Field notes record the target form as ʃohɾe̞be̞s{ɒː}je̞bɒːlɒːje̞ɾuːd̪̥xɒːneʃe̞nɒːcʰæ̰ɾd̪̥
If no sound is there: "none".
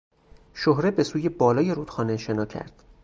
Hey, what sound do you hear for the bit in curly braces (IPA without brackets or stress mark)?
uː